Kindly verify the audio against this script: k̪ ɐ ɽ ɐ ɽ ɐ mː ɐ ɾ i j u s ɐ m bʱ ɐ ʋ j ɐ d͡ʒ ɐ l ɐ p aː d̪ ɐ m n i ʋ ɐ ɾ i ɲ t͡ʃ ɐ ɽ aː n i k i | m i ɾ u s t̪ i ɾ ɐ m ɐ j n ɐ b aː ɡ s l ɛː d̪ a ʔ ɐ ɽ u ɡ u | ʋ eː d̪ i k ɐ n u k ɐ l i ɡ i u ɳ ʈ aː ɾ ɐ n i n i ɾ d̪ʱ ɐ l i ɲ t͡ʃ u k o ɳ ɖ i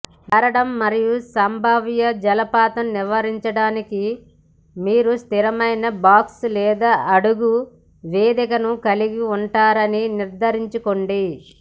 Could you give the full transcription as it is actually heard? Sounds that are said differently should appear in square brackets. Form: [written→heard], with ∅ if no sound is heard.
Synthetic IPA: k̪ ɐ [ɽ→ɾ] ɐ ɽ ɐ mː ɐ ɾ i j u s ɐ m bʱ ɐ ʋ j ɐ d͡ʒ ɐ l ɐ p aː [d̪→t̪] ɐ m n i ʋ ɐ ɾ i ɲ t͡ʃ ɐ ɽ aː n i k i | m [i→iː] ɾ u s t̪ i ɾ ɐ m ɐ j n ɐ b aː [ɡ→k] s l ɛː d̪ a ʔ ɐ ɽ u ɡ u | ʋ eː d̪ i k ɐ n u k ɐ l i ɡ i u ɳ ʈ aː ɾ ɐ n i n i ɾ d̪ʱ ɐ [l→ɾ] i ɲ t͡ʃ u k o ɳ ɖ i

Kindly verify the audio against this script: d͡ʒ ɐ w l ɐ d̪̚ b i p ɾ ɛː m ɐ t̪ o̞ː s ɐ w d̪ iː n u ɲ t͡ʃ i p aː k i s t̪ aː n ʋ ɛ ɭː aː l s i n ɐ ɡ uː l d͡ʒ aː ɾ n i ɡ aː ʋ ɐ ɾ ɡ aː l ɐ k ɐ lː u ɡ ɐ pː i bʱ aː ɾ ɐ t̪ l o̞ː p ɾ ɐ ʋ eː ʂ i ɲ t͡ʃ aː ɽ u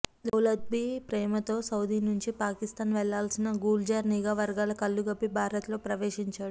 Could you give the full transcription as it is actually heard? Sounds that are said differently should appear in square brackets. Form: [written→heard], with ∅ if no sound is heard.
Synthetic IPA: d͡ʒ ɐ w l ɐ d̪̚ b i p ɾ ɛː m ɐ t̪ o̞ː s ɐ w d̪ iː n u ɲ t͡ʃ i p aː k i s t̪ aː n ʋ ɛ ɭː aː l s i n ɐ ɡ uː l d͡ʒ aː ɾ n i ɡ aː ʋ ɐ ɾ ɡ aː l ɐ k ɐ lː u ɡ ɐ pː i bʱ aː ɾ ɐ t̪ l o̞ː p ɾ ɐ ʋ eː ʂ i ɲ t͡ʃ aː ɽ u

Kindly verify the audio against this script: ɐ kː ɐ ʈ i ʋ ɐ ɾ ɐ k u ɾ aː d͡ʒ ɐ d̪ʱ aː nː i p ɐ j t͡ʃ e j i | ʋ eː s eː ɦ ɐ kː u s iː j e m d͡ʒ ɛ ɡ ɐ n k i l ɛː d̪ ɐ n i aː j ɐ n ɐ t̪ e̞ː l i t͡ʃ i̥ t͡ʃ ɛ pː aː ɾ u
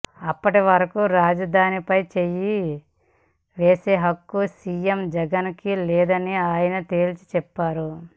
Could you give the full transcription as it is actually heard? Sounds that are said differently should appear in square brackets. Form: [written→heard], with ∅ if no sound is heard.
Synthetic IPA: ɐ [kː→pː] ɐ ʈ i ʋ ɐ ɾ ɐ k u ɾ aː d͡ʒ ɐ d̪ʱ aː [nː→n] i p ɐ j t͡ʃ e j i | ʋ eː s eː ɦ ɐ kː u s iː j e m d͡ʒ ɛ ɡ ɐ n k i l ɛː d̪ ɐ n i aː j ɐ n ɐ t̪ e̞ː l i t͡ʃ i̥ t͡ʃ ɛ pː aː ɾ u

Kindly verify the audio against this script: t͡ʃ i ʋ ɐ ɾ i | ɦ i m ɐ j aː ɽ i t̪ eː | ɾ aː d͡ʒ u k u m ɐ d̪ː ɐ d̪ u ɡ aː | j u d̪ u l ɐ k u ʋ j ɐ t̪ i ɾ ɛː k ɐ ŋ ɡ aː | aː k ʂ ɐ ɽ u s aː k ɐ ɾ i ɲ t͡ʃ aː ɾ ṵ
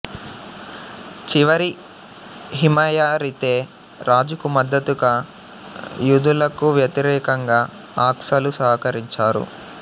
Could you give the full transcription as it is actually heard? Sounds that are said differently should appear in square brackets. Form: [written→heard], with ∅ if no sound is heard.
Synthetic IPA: t͡ʃ i ʋ ɐ ɾ i | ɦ i m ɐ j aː [ɽ→ɾ] i t̪ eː | ɾ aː d͡ʒ u k u m ɐ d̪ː ɐ [d̪→t̪] u ɡ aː | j u d̪ u l ɐ k u ʋ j ɐ t̪ i ɾ ɛː k ɐ ŋ ɡ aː | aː k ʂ ɐ [ɽ→l] u s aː k ɐ ɾ i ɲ t͡ʃ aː ɾ ṵ

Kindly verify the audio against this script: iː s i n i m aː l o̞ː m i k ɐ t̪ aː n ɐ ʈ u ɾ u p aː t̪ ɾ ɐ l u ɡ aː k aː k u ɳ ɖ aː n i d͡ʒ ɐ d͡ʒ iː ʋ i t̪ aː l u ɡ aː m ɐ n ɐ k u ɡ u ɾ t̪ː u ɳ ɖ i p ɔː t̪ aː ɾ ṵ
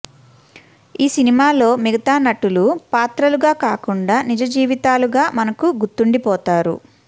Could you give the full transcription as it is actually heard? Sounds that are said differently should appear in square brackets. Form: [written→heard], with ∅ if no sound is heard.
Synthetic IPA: iː s i n i m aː l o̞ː m i [k→ɡ] ɐ t̪ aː n ɐ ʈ u [ɾ→l] u p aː t̪ ɾ ɐ l u ɡ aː k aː k u ɳ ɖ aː n i d͡ʒ ɐ d͡ʒ iː ʋ i t̪ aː l u ɡ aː m ɐ n ɐ k u ɡ u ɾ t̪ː u ɳ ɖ i p ɔː t̪ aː ɾ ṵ

